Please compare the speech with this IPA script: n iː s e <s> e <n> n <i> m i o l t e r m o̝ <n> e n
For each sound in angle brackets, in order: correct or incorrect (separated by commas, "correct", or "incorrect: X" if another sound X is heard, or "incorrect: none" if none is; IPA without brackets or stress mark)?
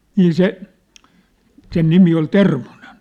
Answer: correct, correct, correct, correct